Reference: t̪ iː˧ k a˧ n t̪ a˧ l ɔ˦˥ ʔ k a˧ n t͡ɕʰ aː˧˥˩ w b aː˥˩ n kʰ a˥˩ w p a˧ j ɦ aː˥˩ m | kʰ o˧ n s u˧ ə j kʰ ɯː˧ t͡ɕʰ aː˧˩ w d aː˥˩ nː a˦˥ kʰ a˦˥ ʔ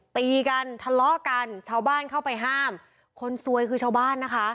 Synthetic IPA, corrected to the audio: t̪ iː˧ k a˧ n t̪ʰ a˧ l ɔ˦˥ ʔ k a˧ n t͡ɕʰ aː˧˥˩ w b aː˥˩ n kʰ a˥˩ w p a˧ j ɦ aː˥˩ m | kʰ o˧ n s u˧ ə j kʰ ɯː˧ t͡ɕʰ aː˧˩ w b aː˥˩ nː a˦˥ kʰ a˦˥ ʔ